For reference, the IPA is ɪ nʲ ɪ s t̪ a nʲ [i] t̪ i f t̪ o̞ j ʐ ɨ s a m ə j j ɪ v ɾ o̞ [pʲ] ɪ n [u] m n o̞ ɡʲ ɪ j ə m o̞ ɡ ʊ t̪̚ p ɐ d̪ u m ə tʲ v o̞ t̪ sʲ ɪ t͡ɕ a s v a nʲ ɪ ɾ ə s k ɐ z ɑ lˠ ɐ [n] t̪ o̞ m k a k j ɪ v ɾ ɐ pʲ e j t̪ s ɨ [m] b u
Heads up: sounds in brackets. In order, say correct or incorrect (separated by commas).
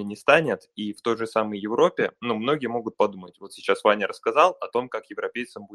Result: incorrect, correct, correct, incorrect, correct